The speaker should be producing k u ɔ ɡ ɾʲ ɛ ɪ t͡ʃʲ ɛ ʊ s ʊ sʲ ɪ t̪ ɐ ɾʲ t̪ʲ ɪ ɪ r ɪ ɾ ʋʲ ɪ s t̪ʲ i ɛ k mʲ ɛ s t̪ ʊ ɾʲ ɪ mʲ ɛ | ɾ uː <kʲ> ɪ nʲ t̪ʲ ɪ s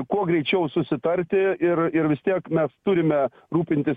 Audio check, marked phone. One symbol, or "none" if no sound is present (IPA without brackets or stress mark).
pʲ